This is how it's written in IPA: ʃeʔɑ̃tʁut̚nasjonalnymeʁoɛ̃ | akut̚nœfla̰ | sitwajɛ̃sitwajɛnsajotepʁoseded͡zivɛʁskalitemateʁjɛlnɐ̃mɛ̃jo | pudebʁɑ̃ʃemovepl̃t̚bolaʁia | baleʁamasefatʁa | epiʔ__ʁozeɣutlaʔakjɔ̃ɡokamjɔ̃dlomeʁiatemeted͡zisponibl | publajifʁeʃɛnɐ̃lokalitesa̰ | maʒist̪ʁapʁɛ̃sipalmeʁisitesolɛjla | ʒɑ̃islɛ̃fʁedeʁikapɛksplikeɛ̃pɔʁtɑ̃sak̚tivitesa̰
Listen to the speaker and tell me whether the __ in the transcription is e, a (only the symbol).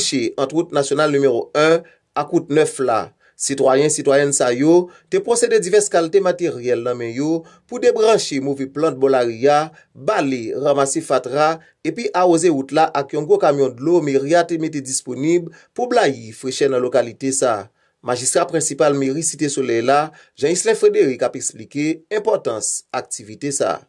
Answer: a